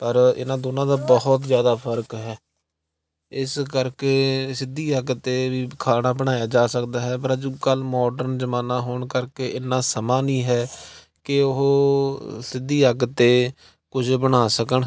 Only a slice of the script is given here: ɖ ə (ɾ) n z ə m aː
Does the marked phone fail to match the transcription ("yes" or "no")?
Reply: no